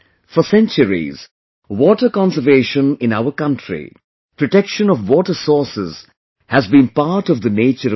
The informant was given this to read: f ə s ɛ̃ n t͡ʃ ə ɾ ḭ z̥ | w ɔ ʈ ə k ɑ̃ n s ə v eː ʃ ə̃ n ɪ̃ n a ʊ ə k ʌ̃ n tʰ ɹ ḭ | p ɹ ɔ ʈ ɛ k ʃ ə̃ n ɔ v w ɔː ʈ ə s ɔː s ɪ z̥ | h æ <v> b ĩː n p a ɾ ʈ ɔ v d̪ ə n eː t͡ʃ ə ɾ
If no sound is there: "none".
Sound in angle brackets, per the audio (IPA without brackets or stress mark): z